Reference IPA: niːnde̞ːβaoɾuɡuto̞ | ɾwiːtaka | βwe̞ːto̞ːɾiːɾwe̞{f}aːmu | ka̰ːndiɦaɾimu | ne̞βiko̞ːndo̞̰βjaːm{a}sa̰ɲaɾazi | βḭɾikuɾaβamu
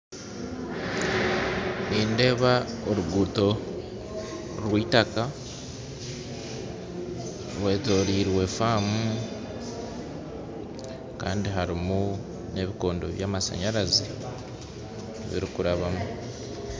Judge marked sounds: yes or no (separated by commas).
yes, yes